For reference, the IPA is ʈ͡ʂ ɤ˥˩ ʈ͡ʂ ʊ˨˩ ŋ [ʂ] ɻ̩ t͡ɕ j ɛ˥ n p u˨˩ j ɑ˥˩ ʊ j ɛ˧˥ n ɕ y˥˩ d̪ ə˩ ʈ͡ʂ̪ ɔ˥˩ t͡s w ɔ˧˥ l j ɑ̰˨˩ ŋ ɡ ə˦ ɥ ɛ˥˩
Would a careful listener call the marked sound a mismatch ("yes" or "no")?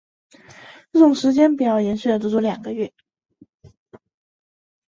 no